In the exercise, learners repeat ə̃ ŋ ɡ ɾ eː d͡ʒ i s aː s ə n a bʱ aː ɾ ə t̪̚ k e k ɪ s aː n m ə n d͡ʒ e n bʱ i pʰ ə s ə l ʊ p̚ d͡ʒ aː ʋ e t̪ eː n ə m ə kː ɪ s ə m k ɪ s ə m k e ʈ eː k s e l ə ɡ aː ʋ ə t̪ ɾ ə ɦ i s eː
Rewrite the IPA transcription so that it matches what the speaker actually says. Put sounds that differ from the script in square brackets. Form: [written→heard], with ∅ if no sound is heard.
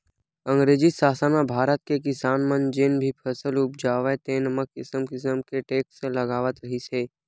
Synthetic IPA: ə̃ ŋ ɡ ɾ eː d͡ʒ i s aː s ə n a bʱ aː ɾ ə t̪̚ k e k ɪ s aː n m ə n d͡ʒ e n bʱ i pʰ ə s ə l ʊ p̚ d͡ʒ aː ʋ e t̪ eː n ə m ə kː ɪ s ə m k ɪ s ə m k e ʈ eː k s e l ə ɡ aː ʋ ə t̪ ɾ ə ɦ i s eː